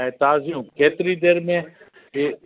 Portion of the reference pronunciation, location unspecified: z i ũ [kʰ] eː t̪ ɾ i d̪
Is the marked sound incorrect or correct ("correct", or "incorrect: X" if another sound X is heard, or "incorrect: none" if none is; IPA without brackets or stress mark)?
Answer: incorrect: k